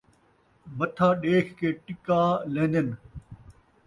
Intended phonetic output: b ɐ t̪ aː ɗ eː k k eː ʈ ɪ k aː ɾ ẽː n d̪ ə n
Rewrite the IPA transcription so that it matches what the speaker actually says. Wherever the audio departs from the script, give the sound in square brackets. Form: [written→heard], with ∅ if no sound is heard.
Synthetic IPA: [b→m] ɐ [t̪→t̪ʰ] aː ɗ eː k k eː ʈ ɪ k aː [ɾ→l] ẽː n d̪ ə n